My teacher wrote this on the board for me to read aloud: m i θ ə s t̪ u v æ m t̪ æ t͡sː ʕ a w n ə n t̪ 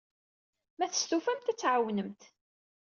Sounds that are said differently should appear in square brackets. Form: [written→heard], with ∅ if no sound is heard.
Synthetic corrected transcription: m [i→æ] θ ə s t̪ u [v→f] æ m t̪ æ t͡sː ʕ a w n ə [n→m] t̪